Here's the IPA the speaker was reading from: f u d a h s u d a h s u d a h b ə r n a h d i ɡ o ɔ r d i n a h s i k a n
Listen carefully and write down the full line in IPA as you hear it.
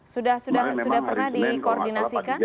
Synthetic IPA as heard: s u d a h s u d a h s u d a h p ə r n a h d i k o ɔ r d i n a s i k a n